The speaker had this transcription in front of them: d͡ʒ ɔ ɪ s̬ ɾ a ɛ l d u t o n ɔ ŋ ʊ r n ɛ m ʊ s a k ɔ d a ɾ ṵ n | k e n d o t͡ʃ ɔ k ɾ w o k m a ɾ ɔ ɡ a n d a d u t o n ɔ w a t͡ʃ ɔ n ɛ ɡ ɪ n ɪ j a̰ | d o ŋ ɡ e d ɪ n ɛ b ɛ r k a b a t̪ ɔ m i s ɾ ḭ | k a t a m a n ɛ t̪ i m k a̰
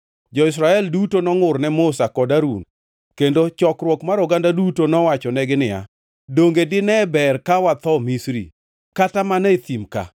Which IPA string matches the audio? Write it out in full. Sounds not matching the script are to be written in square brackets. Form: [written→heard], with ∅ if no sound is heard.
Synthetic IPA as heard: d͡ʒ ɔ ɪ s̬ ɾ a ɛ l d u t o n ɔ ŋ ʊ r n ɛ m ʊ s a k ɔ d a ɾ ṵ n | k e n d o t͡ʃ ɔ k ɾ w [o→ɔ] k m a ɾ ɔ ɡ a n d a d u t o n ɔ w a t͡ʃ ɔ n ɛ ɡ ɪ n ɪ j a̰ | d o ŋ ɡ e d ɪ n ɛ b ɛ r k a [b→w] a t̪ ɔ m i s ɾ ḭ | k a t a m a n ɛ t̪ i m k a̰